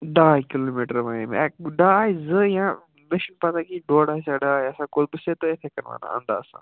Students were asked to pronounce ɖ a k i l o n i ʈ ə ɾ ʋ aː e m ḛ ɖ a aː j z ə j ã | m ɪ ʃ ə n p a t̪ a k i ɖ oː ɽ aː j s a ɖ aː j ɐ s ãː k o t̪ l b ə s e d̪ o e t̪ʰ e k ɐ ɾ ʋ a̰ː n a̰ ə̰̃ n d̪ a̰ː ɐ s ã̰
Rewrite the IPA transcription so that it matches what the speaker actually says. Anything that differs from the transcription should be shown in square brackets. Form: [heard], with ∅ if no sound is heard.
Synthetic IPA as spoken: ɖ a k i l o [m] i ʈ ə ɾ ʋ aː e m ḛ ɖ a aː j z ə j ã | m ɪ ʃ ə n p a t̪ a k i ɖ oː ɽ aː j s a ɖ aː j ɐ s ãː k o [∅] l b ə s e [t̪] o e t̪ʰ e k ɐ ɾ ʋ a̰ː n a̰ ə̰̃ n d̪ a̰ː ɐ s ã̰